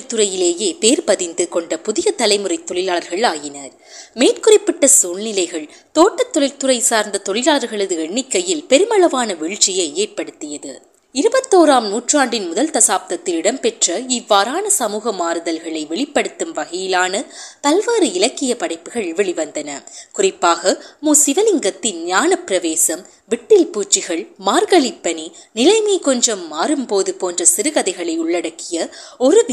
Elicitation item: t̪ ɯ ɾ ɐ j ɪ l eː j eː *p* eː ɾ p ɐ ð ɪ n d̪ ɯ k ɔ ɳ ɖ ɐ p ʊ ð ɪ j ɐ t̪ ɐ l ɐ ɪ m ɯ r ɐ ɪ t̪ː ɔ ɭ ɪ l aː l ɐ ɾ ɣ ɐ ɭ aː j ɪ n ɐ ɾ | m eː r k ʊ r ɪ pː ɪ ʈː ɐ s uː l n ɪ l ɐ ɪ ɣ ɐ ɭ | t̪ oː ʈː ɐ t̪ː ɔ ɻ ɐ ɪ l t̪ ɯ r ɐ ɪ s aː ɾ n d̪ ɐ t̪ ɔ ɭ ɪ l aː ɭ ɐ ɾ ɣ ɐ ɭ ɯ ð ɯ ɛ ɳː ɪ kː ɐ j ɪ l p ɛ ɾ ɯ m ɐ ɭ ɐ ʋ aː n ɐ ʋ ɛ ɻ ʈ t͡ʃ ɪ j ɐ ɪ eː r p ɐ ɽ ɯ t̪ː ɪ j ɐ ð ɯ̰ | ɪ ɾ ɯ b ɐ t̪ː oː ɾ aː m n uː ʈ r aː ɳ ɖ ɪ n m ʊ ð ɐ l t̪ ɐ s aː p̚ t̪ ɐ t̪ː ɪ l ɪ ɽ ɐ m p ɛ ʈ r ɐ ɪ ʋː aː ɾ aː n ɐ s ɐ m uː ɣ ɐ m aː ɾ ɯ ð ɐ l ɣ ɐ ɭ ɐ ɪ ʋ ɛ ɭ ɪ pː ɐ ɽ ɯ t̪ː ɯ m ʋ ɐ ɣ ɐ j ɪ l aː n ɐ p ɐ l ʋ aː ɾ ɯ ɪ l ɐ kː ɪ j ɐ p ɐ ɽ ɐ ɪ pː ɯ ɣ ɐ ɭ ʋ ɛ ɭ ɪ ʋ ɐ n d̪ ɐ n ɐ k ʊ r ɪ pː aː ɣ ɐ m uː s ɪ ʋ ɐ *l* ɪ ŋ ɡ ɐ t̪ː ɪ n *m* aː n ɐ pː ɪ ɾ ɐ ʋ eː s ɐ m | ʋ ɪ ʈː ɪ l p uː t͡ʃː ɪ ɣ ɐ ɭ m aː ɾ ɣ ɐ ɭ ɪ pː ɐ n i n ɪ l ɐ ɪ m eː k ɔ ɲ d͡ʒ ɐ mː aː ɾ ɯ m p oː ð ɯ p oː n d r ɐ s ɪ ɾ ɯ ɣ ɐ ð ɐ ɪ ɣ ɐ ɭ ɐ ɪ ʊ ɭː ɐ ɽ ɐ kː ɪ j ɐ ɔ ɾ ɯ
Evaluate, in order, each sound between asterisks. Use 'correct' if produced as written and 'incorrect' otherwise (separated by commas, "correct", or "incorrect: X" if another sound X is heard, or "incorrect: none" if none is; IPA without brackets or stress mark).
correct, correct, incorrect: ɲ